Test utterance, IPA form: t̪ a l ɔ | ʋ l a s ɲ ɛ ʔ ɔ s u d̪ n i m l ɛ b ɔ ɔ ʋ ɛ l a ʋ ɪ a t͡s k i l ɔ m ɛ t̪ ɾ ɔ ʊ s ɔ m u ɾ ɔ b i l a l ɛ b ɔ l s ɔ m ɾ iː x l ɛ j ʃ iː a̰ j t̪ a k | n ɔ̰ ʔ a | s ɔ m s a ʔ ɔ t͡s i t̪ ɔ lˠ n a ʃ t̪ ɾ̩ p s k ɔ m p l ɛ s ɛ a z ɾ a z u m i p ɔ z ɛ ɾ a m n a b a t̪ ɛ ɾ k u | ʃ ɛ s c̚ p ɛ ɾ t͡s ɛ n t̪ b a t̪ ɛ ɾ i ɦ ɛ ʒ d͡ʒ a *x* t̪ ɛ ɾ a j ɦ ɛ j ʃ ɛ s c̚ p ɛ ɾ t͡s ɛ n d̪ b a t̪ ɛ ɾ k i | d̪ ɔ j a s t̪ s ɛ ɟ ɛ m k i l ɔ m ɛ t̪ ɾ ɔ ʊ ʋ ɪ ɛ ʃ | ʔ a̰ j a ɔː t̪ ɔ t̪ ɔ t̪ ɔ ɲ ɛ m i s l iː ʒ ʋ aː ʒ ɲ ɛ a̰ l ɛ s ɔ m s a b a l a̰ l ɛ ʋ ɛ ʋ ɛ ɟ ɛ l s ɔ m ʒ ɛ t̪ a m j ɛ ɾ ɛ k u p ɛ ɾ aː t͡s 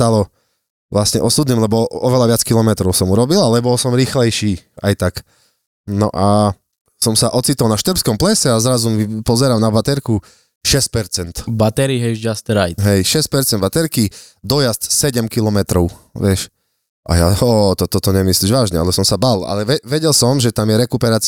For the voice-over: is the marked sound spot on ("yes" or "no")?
no